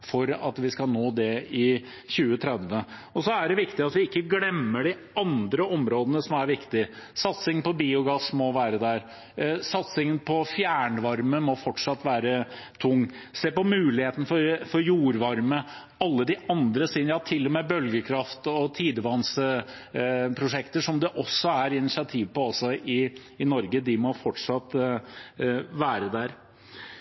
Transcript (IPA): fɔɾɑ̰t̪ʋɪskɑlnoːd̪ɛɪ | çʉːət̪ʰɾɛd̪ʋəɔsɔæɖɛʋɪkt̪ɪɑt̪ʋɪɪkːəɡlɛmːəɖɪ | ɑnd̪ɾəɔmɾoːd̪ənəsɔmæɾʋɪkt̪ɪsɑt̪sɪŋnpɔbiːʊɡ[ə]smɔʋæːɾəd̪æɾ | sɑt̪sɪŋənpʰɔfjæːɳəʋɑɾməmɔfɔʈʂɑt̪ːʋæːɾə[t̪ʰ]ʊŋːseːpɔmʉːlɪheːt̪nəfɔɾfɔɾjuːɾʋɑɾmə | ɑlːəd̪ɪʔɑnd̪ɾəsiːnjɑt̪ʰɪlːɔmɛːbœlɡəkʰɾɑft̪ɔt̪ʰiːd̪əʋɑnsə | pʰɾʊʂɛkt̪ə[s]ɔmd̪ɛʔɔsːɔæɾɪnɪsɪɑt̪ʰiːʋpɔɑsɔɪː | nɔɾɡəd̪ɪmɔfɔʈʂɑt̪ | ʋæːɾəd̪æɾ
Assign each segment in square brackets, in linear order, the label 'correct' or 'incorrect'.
incorrect: ɑ, correct, incorrect: ʂ

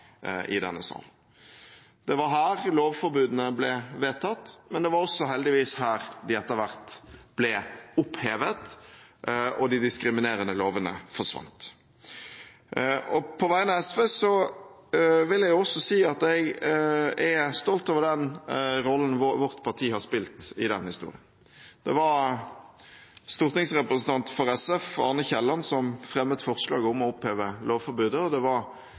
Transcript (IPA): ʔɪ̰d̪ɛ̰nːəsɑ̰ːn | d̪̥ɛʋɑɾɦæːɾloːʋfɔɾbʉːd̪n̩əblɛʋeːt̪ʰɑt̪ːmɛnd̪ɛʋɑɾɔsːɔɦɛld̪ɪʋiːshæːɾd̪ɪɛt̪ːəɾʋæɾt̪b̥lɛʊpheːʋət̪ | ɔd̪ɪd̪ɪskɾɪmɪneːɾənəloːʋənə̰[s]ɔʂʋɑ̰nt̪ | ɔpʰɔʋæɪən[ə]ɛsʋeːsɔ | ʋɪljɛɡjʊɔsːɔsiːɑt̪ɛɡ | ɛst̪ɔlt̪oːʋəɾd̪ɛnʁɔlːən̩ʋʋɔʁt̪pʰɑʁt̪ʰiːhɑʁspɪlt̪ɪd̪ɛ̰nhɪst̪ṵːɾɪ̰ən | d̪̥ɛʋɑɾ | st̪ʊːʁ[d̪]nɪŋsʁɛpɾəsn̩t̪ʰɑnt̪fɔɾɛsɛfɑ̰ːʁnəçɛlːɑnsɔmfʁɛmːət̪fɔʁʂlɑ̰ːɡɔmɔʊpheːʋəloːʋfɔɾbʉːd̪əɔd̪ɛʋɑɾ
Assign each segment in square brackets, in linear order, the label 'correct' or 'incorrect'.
incorrect: f, incorrect: ɑ, incorrect: t̪

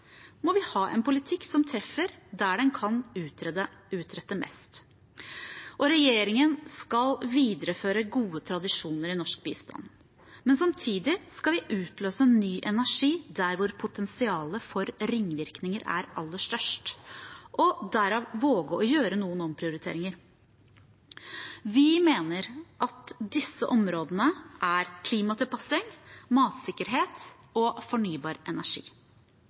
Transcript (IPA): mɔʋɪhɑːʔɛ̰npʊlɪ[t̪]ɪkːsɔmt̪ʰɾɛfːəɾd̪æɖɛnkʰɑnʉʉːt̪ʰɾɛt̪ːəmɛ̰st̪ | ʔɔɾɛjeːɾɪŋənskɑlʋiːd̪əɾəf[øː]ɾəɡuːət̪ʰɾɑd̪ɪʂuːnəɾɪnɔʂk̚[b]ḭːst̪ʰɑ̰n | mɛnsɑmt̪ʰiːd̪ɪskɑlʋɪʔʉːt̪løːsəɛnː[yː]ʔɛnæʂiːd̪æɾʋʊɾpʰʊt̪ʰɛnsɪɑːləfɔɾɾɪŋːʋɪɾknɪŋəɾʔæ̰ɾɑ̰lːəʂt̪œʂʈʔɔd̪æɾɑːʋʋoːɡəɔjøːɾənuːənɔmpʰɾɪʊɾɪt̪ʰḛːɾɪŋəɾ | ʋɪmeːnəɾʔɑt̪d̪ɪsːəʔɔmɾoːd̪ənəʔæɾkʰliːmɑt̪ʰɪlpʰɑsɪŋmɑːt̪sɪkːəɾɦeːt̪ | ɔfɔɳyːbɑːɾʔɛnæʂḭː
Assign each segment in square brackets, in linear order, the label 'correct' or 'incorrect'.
incorrect: t̪ʰ, correct, correct, correct

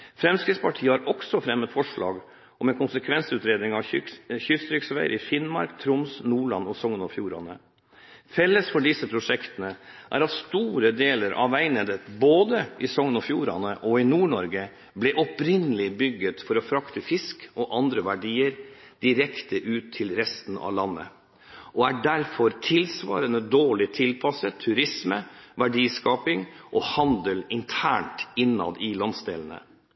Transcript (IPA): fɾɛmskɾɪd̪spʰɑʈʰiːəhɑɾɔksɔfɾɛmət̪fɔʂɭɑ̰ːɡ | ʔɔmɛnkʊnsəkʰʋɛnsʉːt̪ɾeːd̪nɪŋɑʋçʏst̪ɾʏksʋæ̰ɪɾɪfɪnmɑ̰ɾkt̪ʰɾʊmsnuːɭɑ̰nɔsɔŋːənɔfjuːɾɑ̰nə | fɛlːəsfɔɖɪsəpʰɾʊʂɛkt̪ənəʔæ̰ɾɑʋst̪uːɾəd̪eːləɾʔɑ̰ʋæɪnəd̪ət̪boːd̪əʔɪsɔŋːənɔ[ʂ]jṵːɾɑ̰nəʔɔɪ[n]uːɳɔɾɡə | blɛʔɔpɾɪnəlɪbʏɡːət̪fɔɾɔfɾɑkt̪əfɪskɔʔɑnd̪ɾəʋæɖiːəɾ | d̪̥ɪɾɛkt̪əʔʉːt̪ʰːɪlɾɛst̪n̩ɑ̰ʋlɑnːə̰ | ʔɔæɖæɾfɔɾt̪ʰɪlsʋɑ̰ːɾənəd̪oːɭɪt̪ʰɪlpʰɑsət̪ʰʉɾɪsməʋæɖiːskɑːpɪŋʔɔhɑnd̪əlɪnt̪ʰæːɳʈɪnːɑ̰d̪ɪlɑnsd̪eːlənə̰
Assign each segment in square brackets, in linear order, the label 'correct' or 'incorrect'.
incorrect: f, correct

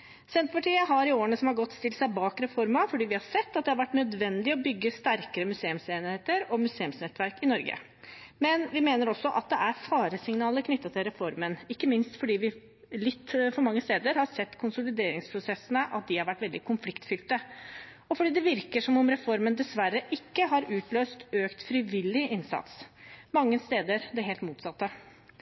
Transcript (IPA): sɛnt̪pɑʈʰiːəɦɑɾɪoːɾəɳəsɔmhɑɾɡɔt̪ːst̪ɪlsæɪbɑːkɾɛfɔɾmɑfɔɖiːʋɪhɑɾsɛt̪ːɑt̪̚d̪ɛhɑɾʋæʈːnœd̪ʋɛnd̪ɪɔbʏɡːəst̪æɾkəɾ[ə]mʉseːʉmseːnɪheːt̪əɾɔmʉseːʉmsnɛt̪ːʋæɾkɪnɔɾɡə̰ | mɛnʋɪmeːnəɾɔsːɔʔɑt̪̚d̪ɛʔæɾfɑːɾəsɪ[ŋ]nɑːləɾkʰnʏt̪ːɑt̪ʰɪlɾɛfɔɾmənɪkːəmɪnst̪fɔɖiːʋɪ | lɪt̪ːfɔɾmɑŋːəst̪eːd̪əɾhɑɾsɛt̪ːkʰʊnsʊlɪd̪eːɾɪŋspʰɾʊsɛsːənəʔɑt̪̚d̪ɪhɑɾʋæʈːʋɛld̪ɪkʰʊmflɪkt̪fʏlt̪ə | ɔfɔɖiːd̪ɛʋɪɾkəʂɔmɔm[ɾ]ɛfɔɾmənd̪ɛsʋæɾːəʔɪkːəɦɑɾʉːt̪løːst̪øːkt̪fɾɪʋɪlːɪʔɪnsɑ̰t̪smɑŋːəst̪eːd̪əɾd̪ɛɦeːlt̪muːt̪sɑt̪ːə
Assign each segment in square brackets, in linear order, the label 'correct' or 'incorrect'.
correct, correct, correct

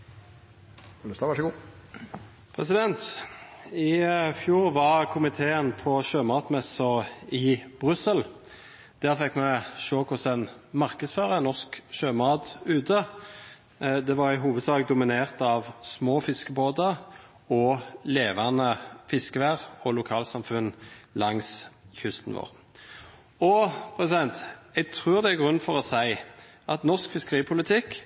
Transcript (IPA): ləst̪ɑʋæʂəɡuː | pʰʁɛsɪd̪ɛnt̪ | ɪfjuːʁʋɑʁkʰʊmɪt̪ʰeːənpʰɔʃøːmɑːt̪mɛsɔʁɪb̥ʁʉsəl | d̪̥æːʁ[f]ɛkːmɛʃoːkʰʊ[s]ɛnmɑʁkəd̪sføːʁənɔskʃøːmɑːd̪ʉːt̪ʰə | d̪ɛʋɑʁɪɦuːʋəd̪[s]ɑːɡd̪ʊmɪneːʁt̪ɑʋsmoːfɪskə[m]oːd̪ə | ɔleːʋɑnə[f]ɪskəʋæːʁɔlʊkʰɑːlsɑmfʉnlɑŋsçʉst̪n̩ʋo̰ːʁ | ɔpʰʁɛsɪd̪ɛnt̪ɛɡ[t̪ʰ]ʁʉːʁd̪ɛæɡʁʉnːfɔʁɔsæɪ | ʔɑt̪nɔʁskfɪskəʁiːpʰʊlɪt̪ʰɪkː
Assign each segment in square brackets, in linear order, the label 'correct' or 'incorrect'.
correct, correct, correct, incorrect: b, correct, correct

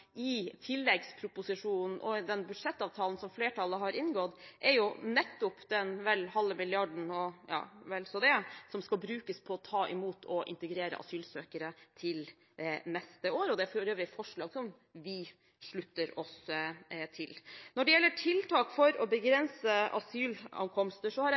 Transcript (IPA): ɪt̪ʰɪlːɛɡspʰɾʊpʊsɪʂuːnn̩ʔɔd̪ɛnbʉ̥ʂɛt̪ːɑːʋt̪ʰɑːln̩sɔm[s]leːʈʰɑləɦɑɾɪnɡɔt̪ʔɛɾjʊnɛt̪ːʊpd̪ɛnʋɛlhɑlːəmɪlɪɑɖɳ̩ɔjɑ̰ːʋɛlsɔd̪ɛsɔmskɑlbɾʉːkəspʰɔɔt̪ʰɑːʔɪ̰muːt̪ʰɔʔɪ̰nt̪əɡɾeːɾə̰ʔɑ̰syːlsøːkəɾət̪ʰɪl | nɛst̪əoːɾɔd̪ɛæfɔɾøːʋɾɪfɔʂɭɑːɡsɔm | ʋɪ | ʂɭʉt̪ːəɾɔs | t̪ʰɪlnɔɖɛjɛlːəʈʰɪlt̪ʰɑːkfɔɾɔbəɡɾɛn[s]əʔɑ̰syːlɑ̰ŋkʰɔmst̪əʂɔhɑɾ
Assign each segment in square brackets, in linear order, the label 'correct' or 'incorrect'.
incorrect: f, correct

